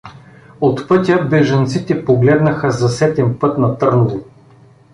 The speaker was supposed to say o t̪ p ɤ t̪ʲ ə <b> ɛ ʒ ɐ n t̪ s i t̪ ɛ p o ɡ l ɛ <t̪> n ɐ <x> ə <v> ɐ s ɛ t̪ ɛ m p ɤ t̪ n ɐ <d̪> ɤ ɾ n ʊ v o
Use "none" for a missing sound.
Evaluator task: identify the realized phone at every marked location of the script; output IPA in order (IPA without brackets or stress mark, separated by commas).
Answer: b, d̪, x, z, t̪